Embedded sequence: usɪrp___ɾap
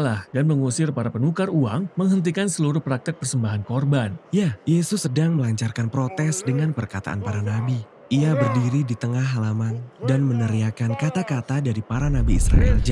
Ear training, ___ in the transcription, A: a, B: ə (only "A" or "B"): A